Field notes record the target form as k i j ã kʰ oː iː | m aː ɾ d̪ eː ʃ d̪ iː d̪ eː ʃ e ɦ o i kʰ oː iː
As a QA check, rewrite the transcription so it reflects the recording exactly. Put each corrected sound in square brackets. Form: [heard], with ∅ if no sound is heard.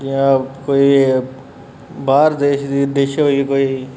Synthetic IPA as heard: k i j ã [k] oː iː | [b] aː ɾ d̪ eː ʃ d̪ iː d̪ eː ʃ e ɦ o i [k] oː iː